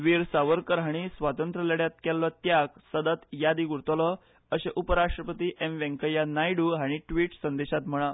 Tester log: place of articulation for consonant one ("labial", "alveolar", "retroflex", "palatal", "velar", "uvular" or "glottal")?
labial